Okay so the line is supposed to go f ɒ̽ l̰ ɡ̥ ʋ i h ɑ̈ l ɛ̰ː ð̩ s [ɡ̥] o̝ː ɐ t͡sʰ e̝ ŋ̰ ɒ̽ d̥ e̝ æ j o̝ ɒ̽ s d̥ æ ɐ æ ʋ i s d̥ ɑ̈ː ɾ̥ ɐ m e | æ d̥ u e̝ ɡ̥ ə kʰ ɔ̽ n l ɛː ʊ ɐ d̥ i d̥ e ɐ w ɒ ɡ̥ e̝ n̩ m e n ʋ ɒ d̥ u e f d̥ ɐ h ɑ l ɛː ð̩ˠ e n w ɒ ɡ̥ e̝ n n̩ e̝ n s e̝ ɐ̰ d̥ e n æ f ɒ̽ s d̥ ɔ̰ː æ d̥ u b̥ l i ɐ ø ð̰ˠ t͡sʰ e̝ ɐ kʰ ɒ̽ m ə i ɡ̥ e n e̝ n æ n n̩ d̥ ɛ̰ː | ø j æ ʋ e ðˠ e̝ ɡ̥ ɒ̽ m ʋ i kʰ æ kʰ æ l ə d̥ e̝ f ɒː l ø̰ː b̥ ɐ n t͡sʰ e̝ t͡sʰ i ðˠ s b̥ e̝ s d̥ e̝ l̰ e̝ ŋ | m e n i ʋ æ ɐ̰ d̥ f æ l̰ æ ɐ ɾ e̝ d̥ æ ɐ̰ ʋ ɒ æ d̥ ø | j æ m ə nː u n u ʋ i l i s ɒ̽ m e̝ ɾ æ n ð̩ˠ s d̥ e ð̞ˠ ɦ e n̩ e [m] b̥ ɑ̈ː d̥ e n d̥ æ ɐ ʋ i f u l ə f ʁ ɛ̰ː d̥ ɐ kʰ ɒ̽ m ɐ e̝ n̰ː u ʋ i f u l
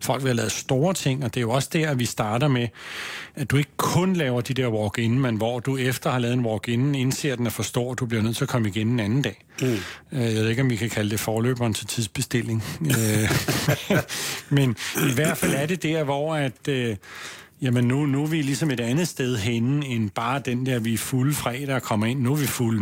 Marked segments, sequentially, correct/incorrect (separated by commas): incorrect, incorrect